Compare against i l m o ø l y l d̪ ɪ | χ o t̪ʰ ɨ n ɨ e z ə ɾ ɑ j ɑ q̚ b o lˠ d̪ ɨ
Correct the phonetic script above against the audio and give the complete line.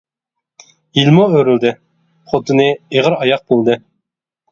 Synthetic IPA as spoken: i l m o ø ɾ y l d̪ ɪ | χ o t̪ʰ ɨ n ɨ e ʁ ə ɾ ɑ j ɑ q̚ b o lˠ d̪ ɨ